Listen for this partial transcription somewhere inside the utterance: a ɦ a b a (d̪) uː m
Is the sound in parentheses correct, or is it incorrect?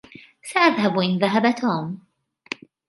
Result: incorrect